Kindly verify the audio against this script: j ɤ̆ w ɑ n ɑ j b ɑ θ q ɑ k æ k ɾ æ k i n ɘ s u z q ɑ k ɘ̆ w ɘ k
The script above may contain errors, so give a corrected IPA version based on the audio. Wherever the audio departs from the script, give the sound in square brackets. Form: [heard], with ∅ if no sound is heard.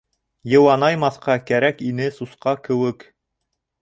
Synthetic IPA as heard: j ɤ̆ w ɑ n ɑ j [m] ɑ θ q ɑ k æ [∅] ɾ æ k i n ɘ s u [s] q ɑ k ɘ̆ w ɘ k